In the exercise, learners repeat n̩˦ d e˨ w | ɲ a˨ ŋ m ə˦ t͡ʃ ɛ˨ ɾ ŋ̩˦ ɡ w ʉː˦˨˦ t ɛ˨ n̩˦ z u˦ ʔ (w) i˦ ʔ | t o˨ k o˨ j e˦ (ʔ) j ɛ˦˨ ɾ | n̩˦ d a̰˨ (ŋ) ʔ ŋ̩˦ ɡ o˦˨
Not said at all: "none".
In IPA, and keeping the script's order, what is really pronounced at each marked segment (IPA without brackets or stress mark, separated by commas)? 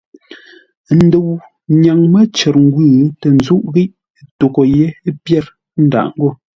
ɣ, p, none